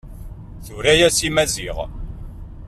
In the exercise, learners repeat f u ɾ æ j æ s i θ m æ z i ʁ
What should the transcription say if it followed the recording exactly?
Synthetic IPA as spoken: θ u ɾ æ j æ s i m æ z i ʁ